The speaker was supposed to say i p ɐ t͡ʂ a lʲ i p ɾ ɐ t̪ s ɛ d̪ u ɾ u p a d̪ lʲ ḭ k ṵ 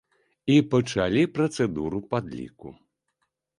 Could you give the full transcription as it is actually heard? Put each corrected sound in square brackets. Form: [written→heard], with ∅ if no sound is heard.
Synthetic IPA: i p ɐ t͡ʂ a lʲ i p ɾ ɐ t̪ s ɛ d̪ u ɾ u p a d̪ lʲ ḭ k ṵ